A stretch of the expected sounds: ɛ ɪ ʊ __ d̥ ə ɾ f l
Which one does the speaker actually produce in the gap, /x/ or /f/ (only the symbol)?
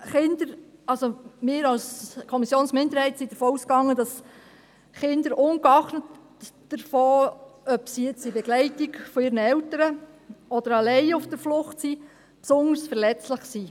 f